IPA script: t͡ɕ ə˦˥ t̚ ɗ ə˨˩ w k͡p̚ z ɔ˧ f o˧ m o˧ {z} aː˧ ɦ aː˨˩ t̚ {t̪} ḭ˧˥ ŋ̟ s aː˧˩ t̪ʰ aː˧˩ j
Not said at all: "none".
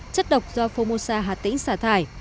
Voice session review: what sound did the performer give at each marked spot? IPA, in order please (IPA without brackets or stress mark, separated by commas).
s, t̪